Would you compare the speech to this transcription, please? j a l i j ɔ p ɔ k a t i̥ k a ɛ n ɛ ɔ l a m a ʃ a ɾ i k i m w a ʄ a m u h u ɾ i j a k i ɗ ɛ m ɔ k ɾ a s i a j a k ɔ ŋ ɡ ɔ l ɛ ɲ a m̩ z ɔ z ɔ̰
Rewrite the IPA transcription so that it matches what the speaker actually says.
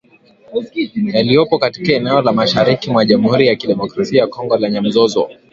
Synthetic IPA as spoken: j a l i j ɔ p ɔ k a t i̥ k a ɛ n ɛ ɔ l a m a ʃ a ɾ i k i m w a ʄ a m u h u ɾ i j a k i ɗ ɛ m ɔ k ɾ a s i a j a k ɔ ŋ ɡ ɔ l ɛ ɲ a m̩ z ɔ z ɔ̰